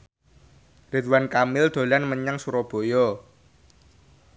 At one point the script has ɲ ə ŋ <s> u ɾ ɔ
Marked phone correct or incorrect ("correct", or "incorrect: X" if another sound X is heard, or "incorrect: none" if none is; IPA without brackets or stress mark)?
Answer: correct